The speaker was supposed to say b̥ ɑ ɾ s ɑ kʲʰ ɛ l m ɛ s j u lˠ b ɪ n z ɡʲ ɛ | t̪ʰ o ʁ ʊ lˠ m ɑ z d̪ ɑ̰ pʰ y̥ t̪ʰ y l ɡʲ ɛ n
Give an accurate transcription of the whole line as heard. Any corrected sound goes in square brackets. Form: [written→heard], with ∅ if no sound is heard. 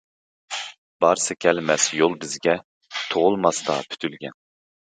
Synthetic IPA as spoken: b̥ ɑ ɾ s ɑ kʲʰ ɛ l m ɛ s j [u→o] lˠ b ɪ [n→∅] z ɡʲ ɛ | t̪ʰ o ʁ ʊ lˠ m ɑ [z→s] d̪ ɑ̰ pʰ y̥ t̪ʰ y l ɡʲ ɛ n